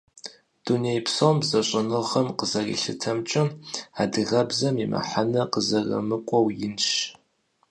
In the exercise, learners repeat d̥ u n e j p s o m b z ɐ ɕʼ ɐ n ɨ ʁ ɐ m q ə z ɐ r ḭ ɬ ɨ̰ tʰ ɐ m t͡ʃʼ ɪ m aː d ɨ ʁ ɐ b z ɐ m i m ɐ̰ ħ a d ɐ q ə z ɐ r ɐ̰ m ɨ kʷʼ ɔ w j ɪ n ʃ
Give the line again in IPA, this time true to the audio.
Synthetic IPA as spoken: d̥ u n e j p s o m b z ɐ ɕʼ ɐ n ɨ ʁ ɐ m q ə z ɐ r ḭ ɬ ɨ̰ tʰ ɐ m t͡ʃʼ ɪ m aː d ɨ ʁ ɐ b z ɐ m i m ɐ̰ ħ a n ɐ q ə z ɐ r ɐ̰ m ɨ kʷʼ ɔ w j ɪ n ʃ